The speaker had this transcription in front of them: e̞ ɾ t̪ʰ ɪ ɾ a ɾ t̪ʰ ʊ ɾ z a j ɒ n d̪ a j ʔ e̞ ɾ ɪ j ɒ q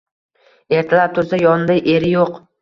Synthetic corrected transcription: e̞ ɾ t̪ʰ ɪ l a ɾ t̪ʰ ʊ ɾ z a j ɒ n d̪ a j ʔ e̞ ɾ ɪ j o q